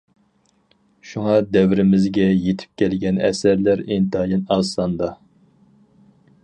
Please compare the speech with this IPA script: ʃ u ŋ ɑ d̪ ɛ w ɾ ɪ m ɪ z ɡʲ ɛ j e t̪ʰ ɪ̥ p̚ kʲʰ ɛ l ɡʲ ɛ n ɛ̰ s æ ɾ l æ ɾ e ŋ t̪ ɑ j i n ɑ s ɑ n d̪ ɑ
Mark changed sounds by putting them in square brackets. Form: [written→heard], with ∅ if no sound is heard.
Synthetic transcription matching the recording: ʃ u ŋ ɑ d̪ ɛ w ɾ ɪ m ɪ z ɡʲ ɛ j e t̪ʰ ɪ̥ p̚ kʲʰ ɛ l ɡʲ ɛ n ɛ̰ s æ ɾ l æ ɾ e [ŋ→n] t̪ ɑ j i n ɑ s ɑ n d̪ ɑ